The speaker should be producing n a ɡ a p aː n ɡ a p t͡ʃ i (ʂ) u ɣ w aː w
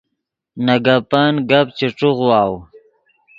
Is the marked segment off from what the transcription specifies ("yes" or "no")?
yes